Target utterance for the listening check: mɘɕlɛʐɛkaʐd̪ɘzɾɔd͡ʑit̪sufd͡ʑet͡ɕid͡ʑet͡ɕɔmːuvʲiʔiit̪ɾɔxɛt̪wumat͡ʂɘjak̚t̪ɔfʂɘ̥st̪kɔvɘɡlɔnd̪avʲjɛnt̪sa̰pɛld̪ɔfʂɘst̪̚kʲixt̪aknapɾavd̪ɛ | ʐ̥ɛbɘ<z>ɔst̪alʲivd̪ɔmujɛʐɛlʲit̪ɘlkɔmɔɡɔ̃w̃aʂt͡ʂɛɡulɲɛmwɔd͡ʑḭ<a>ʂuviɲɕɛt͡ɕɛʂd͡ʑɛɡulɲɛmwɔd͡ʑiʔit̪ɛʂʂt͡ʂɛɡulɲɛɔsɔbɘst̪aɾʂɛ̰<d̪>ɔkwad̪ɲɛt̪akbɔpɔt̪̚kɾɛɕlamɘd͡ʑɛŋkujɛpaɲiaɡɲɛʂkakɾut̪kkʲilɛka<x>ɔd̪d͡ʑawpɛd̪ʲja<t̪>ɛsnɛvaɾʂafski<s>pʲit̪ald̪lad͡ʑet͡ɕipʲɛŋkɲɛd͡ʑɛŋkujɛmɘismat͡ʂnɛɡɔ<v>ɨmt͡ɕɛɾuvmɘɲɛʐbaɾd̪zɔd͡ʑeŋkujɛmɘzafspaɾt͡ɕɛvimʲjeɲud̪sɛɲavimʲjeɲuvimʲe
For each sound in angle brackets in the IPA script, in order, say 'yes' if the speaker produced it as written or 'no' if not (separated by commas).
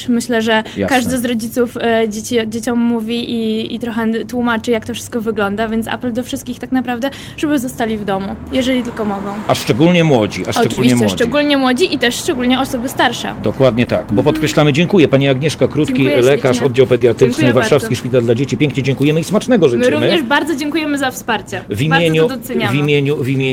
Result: yes, yes, yes, no, yes, no, no